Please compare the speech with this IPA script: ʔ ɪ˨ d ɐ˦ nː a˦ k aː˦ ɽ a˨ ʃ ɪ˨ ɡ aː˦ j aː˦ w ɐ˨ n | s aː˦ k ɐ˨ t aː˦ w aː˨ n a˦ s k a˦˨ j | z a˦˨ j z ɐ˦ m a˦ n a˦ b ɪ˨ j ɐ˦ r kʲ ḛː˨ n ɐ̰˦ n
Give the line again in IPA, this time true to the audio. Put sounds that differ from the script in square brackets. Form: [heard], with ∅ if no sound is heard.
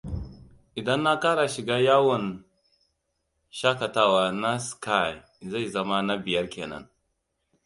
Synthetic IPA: ʔ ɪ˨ d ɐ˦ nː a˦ k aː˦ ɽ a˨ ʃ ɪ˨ ɡ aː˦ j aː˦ w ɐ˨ n | [ʃ] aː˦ k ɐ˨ t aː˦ w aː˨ n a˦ s k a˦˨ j | z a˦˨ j z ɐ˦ m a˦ n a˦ b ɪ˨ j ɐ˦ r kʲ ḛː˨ n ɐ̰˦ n